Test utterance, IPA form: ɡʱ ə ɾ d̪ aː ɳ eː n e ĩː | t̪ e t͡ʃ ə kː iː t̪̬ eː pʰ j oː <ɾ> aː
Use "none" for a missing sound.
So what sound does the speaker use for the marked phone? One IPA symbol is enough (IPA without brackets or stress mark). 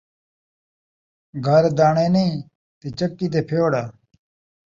ɽ